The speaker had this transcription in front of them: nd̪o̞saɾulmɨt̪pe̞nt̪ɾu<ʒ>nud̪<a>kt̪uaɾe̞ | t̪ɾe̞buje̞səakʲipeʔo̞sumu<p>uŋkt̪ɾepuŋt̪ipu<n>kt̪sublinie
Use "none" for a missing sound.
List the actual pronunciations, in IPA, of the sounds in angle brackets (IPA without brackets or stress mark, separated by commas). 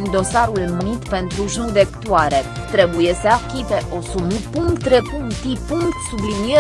ʒ, e, p, ŋ